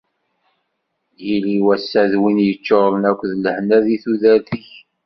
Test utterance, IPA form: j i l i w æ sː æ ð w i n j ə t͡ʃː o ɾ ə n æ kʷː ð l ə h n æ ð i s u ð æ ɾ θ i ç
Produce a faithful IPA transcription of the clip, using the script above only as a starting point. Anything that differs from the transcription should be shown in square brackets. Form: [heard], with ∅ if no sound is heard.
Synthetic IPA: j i l i w æ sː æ ð w i n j ə t͡ʃː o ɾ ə n æ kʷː ð l ə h n æ ð i [θ] u ð æ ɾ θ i ç